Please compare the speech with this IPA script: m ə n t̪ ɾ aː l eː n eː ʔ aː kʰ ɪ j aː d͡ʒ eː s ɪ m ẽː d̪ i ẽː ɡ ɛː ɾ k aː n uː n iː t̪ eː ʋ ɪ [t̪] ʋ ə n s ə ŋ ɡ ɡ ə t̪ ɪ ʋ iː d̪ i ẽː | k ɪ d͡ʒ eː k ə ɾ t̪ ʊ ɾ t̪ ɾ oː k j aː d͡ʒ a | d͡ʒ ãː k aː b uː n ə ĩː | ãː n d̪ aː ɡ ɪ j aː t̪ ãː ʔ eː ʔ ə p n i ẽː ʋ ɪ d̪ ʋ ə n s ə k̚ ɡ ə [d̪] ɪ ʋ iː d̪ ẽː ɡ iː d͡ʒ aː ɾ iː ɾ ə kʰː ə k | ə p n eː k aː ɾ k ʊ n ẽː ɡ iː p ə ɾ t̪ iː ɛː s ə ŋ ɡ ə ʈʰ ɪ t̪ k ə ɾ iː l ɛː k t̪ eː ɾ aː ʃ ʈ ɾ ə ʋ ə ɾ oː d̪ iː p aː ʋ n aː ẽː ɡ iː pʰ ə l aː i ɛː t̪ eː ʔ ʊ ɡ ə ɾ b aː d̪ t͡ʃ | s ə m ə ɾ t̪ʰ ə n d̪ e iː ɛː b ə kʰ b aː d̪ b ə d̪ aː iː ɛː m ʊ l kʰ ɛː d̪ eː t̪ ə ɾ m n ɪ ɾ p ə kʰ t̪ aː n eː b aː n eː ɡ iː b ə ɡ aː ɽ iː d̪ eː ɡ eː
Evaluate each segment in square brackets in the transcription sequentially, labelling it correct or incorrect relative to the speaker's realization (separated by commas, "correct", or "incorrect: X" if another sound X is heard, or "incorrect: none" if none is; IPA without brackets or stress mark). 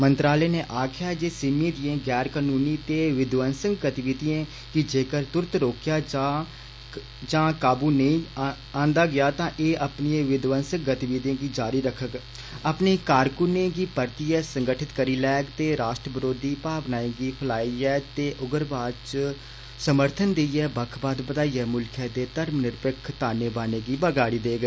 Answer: incorrect: d̪, incorrect: t̪